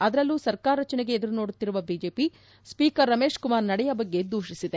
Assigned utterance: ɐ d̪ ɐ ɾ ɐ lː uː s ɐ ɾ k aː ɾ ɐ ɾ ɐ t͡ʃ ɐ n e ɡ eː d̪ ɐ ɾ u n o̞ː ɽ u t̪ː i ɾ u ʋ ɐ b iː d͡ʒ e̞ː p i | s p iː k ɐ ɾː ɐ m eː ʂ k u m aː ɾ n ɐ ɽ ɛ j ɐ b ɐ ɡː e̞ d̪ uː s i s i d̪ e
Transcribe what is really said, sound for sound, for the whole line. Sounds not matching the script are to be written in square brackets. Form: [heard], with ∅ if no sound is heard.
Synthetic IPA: ɐ d̪ ɐ ɾ ɐ lː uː s ɐ ɾ k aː ɾ ɐ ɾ ɐ t͡ʃ ɐ n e ɡ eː d̪ ɐ ɾ u n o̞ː ɽ u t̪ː i ɾ u ʋ ɐ b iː d͡ʒ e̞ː p i | s p iː k ɐ ɾː ɐ m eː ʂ k u m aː ɾ n ɐ ɽ ɛ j ɐ b ɐ ɡː e̞ d̪ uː [ʃ] i s i d̪ e